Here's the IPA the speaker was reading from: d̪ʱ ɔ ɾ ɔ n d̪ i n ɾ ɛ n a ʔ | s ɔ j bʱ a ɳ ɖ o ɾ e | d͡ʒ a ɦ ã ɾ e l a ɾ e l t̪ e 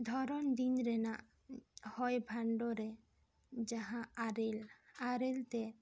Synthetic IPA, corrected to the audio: d̪ʱ ɔ ɾ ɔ n d̪ i n ɾ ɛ n a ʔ | h ɔ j bʱ a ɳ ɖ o ɾ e | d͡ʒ a ɦ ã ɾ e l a ɾ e l t̪ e